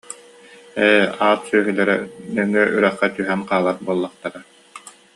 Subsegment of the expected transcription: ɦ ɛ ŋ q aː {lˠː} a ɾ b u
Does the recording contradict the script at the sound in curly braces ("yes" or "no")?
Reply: yes